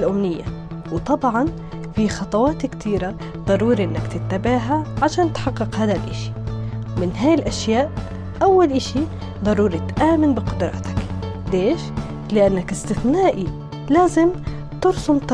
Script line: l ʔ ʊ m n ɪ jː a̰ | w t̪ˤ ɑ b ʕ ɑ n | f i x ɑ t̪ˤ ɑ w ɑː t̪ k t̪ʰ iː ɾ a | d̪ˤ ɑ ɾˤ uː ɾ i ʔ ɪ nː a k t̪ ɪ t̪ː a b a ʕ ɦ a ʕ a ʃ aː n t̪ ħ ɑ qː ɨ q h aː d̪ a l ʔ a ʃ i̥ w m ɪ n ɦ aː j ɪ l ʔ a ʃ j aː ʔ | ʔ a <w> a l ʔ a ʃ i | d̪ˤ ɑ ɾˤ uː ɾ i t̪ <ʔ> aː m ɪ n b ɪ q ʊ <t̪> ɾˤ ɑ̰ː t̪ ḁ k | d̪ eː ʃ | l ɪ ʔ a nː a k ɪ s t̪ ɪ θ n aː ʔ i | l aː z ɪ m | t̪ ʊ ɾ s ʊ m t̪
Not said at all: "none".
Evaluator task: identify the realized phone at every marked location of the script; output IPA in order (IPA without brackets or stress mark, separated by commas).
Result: wː, ʔ, d̪